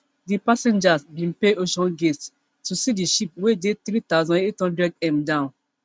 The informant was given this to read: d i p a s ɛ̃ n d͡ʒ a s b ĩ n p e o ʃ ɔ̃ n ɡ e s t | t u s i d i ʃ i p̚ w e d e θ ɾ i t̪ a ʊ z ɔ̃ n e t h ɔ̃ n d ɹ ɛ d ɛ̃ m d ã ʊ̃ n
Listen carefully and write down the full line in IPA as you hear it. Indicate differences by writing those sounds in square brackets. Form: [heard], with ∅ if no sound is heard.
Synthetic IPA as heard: d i p a s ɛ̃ n d͡ʒ a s b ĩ n p e o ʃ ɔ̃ n ɡ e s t | t u s i d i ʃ i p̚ w e d e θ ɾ i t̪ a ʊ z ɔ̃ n e t h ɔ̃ n d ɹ ɛ d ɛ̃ m d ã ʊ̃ n